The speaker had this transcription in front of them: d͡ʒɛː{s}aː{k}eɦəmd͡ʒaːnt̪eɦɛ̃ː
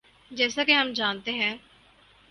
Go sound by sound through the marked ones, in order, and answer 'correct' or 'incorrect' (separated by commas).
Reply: correct, correct